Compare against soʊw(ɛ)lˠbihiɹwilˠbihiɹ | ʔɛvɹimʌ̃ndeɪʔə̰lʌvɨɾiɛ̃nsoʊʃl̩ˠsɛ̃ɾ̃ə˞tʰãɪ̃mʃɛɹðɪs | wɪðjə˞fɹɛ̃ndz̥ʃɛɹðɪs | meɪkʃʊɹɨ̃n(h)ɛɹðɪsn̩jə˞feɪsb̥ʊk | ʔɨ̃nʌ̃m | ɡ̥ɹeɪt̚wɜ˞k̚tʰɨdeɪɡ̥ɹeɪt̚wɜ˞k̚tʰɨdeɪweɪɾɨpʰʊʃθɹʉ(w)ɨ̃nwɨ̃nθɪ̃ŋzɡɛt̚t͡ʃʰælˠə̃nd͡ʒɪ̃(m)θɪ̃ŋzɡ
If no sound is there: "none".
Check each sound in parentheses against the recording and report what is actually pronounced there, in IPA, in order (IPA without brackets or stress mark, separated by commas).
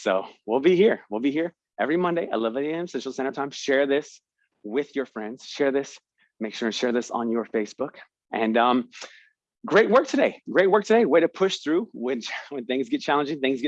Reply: i, ʃ, w, ŋ